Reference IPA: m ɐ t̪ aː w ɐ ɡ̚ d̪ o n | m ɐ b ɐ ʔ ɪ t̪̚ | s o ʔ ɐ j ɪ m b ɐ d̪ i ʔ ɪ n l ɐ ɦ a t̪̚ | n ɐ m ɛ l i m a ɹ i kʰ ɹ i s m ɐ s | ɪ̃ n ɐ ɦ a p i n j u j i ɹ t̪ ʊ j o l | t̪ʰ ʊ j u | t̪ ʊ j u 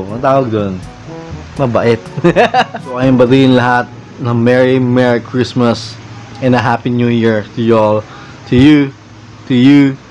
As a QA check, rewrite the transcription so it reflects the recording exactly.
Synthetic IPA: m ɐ t̪ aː w ɐ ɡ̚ d̪ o n | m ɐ b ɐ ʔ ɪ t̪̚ | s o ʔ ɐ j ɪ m b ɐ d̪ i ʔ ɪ n l ɐ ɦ a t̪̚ | n ɐ m ɛ ɹ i m ɛ ɹ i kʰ ɹ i s m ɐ s | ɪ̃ n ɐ ɦ a p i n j u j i ɹ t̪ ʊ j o l | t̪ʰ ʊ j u | t̪ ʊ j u